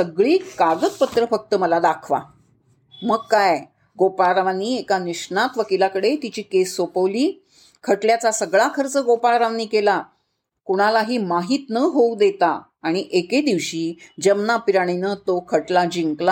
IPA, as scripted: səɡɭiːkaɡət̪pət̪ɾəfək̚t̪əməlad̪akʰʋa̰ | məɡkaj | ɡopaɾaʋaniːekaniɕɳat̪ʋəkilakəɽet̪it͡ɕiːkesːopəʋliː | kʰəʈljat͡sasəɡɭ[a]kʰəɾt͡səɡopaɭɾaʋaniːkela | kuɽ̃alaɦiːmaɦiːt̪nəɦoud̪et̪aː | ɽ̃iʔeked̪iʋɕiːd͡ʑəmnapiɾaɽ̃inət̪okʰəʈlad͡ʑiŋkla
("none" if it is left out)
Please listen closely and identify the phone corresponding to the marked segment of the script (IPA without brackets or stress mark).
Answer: a